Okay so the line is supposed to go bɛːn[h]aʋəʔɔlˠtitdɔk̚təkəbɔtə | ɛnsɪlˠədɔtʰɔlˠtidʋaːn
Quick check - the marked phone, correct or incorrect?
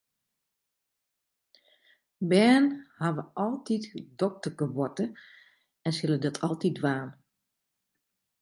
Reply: correct